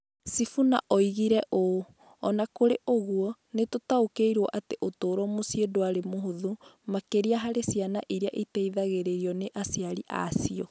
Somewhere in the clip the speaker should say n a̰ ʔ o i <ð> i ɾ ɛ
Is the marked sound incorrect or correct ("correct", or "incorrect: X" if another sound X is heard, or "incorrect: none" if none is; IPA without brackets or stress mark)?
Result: incorrect: ɣ